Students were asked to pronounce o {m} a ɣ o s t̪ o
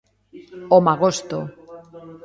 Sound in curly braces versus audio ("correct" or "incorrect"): correct